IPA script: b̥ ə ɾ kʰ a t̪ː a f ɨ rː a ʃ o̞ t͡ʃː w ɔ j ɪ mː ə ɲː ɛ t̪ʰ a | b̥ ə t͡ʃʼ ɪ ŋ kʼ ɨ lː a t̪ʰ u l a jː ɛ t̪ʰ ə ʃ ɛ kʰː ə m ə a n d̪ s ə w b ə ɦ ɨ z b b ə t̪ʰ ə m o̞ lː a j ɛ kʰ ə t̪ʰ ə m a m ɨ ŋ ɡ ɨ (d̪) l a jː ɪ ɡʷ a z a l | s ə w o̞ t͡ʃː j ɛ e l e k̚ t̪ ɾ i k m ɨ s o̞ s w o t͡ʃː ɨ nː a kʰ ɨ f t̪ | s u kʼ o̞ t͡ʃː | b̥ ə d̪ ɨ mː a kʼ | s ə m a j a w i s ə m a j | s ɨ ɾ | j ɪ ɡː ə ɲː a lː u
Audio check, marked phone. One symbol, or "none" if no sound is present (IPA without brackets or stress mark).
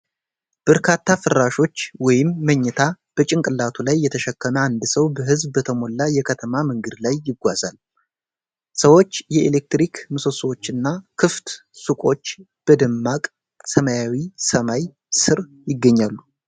d̪